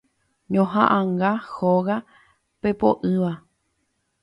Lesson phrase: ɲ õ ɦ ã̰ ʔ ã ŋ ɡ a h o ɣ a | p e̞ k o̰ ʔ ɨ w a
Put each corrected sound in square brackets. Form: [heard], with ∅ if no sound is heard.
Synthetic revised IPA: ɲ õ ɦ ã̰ ʔ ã ŋ ɡ a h o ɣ a | p e̞ [p] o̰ ʔ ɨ [ʋ] a